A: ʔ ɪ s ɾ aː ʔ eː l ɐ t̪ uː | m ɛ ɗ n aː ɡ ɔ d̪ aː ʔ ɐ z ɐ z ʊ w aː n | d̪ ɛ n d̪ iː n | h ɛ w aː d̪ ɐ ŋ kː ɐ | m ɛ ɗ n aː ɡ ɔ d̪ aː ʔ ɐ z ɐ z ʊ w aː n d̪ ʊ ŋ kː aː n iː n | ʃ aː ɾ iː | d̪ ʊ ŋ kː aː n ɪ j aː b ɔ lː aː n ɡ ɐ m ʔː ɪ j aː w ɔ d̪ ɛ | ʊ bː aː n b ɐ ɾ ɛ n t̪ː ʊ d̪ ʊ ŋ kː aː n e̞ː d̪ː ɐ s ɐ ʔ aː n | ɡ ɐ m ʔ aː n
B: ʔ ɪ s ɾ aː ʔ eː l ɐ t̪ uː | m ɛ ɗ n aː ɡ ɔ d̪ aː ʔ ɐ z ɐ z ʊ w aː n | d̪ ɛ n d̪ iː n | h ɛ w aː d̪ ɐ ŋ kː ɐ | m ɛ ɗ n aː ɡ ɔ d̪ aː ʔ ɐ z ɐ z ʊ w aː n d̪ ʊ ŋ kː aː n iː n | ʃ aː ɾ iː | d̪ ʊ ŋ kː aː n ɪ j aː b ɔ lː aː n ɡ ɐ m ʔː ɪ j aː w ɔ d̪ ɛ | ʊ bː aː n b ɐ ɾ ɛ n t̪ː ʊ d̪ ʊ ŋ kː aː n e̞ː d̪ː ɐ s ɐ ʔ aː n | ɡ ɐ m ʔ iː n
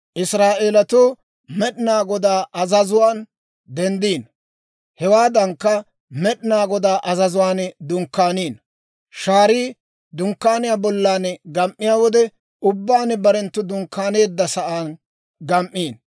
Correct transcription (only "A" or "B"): B